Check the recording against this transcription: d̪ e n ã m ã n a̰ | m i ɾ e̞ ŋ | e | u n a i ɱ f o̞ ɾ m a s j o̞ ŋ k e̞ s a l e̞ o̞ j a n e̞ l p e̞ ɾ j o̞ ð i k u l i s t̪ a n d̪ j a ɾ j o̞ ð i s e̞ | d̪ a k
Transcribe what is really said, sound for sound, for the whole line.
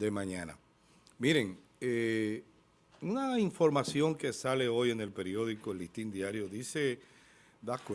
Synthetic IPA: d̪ e m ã ɲ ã n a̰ | m i ɾ e̞ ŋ | e | u n a i ɱ f o̞ ɾ m a s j o̞ ŋ k e̞ s a l e̞ o̞ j e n e̞ l p e̞ ɾ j o̞ ð i k o l i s t̪ i n d̪ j a ɾ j o̞ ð i s e̞ | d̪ a k